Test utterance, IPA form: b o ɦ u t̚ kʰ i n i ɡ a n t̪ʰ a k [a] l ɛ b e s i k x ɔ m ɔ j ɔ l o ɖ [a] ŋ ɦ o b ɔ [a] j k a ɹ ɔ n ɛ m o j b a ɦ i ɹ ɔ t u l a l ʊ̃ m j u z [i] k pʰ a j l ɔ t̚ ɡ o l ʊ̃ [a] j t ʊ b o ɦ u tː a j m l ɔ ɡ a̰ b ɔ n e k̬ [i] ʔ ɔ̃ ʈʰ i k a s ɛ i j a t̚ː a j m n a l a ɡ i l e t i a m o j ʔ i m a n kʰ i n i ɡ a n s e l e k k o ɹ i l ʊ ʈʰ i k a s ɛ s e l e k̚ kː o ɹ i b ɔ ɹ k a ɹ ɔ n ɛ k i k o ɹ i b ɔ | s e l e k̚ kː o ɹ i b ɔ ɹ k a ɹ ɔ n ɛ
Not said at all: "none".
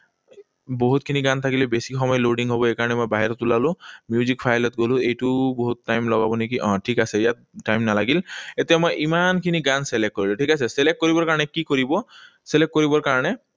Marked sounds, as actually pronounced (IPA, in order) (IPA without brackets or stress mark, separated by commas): i, i, e, i, e, i